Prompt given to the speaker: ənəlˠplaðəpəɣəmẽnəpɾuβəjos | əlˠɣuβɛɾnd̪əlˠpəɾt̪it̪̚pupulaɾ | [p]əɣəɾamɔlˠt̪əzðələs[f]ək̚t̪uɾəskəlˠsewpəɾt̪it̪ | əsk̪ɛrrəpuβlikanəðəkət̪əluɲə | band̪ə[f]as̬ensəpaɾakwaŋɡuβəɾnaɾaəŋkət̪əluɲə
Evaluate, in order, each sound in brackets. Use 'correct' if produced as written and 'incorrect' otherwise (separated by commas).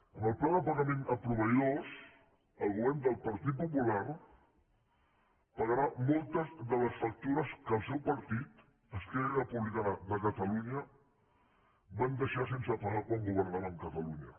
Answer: correct, correct, incorrect